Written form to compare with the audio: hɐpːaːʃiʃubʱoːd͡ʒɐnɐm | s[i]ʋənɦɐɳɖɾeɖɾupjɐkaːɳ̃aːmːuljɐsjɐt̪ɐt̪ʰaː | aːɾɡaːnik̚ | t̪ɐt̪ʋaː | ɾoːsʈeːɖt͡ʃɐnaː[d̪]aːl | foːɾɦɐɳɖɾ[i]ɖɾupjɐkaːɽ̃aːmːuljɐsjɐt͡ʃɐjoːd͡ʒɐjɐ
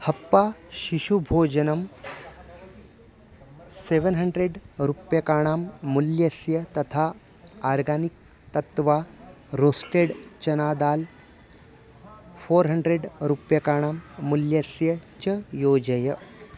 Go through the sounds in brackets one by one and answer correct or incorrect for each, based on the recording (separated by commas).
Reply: incorrect, correct, incorrect